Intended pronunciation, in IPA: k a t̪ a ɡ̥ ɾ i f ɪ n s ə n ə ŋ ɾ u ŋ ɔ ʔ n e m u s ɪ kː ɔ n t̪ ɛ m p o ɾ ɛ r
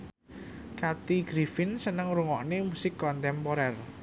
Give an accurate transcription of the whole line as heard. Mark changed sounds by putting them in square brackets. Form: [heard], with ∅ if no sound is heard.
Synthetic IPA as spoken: k a t̪ [i] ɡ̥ ɾ i f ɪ n s ə n ə ŋ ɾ u ŋ ɔ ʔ n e m u s ɪ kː ɔ n t̪ ɛ m p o ɾ ɛ r